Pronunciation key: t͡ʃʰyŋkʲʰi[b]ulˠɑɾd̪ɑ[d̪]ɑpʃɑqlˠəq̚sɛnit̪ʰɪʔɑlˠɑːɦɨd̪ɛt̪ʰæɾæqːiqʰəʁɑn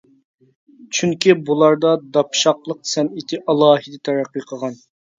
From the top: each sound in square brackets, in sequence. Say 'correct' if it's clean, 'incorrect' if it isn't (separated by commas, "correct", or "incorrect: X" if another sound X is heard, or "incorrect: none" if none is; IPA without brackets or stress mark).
correct, correct